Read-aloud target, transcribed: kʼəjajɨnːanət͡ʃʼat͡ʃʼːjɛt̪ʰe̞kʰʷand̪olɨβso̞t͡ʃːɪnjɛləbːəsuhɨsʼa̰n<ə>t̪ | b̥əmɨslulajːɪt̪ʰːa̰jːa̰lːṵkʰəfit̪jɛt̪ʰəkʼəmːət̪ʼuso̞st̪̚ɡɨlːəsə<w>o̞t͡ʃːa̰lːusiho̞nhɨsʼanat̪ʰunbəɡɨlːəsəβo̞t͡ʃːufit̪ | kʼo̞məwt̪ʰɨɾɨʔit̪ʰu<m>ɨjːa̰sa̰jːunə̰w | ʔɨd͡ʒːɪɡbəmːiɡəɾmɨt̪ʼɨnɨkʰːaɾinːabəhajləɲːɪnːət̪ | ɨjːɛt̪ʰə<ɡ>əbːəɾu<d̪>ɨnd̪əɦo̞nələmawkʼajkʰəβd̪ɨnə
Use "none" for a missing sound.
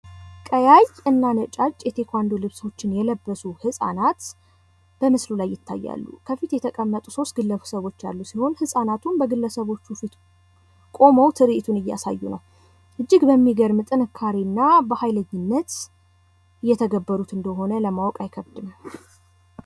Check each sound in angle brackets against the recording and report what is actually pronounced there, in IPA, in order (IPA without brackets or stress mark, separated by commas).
a, β, n, ɡ, t̪